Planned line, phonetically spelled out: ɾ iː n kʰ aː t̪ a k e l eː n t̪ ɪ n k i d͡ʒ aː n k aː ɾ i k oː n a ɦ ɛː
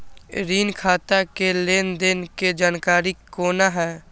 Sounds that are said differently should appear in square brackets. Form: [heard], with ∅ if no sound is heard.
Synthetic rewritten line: ɾ iː n kʰ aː t̪ a k e l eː n [d̪] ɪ n k [e] d͡ʒ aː n k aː ɾ i k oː n a ɦ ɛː

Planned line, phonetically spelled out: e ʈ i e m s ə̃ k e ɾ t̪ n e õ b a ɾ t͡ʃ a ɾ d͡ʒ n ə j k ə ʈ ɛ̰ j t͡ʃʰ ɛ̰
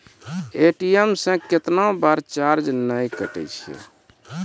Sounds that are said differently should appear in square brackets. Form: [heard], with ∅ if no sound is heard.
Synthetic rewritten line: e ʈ i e m s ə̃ k e [∅] t̪ n [a] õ b a ɾ t͡ʃ a ɾ d͡ʒ n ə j k ə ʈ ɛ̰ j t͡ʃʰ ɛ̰

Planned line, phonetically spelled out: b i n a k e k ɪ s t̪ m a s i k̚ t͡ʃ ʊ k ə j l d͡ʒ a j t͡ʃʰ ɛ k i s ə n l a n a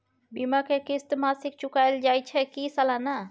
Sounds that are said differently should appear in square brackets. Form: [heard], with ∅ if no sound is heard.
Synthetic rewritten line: b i [m] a k e k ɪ s t̪ m a s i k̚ t͡ʃ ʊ k [a] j l d͡ʒ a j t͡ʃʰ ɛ k i s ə [∅] l a n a

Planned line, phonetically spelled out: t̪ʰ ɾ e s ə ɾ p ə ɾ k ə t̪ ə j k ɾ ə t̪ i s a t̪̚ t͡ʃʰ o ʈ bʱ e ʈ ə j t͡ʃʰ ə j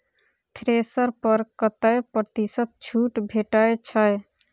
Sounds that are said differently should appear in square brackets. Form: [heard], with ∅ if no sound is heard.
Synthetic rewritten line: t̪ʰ ɾ e s ə ɾ p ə ɾ k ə t̪ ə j [p] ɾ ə t̪ i s [ə] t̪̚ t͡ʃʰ [u] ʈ bʱ e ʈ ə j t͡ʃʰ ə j

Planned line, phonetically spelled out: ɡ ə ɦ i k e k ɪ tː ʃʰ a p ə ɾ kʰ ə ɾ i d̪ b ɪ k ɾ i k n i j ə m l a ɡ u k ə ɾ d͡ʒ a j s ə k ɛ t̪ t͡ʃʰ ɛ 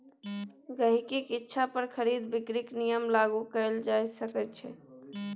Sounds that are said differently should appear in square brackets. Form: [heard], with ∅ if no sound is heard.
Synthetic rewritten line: ɡ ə ɦ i k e k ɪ tː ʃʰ a p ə ɾ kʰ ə ɾ i d̪ b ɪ k ɾ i k n i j ə m l a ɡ u k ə [l] d͡ʒ a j s ə k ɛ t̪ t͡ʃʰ ɛ

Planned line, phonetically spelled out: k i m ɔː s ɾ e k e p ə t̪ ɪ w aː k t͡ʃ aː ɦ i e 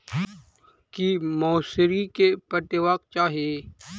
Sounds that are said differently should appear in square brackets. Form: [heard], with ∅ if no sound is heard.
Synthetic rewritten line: k i m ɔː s ɾ [i] k e p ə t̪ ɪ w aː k t͡ʃ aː ɦ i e

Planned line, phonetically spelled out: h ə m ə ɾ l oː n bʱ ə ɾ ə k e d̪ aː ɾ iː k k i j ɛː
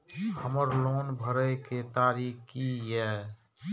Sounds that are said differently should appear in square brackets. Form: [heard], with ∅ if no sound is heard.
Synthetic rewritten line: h ə m ə ɾ l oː n bʱ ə ɾ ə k e [t̪] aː ɾ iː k k i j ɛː

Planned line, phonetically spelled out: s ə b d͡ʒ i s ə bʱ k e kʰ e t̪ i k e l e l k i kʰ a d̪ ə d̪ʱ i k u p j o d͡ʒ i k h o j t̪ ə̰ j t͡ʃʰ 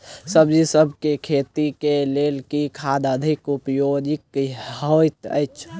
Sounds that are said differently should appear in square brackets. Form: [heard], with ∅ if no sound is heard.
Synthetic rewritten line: s ə b d͡ʒ i s ə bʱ k e kʰ e t̪ i k e l e l k i kʰ a d̪ ə d̪ʱ i k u p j o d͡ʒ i k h o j t̪ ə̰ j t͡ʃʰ

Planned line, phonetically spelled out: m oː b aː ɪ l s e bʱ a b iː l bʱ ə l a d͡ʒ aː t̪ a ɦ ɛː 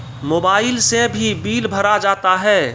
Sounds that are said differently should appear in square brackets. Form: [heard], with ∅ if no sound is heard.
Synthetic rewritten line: m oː b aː ɪ l s e bʱ [i] b iː l bʱ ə [ɾ] a d͡ʒ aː t̪ a ɦ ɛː

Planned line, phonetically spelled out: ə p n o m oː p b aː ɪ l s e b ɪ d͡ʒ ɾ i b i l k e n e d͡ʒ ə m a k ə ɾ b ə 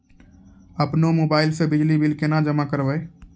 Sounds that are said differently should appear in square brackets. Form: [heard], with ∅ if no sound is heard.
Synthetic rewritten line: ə p n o m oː [∅] b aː ɪ l s e b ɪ d͡ʒ [l] i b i l k e n [a] d͡ʒ ə m a k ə ɾ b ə

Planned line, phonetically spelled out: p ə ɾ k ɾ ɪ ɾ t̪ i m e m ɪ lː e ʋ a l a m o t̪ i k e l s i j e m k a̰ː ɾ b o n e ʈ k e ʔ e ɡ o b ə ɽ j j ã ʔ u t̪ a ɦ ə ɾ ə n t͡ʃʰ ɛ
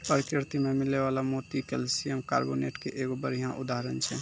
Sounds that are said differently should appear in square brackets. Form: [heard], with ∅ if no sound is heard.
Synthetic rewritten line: p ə ɾ k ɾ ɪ ɾ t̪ i m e m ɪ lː e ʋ a l a m o t̪ i k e l s i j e m k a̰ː ɾ b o n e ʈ k e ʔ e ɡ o b ə [ɾ] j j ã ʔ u [d̪] a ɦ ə ɾ ə n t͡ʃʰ ɛ

